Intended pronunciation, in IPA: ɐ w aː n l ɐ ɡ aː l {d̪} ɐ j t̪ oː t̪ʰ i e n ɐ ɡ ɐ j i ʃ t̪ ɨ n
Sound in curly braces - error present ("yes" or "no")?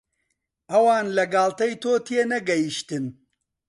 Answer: yes